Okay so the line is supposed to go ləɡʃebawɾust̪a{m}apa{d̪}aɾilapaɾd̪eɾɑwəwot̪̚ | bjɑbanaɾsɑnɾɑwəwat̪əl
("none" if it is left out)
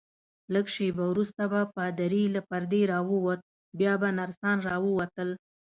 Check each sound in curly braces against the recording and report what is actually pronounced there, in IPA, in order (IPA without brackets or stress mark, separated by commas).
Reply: b, d̪